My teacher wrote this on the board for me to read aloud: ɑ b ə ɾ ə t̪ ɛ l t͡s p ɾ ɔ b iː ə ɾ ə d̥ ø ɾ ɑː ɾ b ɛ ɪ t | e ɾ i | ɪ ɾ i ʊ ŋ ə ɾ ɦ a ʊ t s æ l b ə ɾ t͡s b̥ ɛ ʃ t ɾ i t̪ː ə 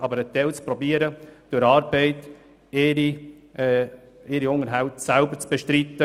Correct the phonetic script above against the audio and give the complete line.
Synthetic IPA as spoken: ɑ b ə ɾ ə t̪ ɛ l t͡s p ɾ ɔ b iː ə ɾ ə d̥ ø ɾ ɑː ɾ b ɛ ɪ t | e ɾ i | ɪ ɾ i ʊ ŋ ə ɾ ɦ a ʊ t s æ l b ə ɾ t͡s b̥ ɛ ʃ t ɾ i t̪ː ə